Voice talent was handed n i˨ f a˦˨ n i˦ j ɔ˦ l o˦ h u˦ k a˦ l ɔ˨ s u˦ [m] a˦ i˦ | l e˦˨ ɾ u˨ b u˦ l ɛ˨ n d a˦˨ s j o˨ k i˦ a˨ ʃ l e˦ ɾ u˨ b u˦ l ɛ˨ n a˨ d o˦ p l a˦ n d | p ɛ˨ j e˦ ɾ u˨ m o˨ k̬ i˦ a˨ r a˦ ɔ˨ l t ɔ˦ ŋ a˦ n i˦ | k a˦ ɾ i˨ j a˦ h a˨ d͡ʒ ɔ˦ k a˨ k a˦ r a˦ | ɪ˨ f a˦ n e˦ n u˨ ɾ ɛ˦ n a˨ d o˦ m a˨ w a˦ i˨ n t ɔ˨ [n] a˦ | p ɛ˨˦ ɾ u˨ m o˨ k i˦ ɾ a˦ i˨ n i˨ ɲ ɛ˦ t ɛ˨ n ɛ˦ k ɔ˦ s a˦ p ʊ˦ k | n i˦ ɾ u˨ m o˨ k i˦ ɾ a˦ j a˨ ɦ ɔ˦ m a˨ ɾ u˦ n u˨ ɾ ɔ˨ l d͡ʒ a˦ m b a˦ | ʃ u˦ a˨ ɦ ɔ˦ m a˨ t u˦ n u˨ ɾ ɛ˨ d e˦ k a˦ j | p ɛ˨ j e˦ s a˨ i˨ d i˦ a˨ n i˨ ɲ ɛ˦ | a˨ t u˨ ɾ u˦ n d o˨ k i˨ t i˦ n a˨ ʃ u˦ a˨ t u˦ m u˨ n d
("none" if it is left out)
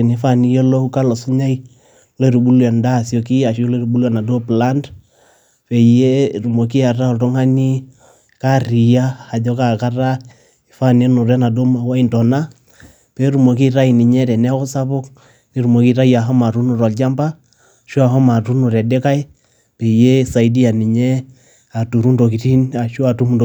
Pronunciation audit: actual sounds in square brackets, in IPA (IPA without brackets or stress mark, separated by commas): ɲ, n